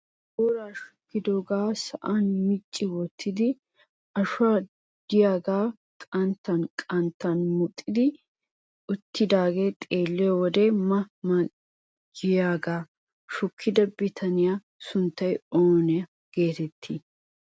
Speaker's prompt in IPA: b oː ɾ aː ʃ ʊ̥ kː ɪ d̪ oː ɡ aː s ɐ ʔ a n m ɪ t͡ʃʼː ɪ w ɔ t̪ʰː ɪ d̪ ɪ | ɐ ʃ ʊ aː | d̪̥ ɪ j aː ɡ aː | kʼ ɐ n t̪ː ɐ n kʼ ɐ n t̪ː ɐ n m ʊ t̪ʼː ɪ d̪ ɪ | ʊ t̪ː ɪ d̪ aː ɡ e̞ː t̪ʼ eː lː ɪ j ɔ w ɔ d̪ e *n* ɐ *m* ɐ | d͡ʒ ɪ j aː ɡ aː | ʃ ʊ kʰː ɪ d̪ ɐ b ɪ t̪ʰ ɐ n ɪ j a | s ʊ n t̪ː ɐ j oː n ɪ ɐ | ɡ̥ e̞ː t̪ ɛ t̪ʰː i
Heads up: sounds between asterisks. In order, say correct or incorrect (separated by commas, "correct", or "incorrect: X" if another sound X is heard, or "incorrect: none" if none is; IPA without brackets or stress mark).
incorrect: m, correct